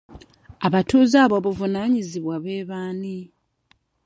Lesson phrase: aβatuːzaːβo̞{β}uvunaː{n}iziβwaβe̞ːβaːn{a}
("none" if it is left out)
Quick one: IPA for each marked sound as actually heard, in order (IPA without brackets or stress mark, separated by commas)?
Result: β, ɲ, i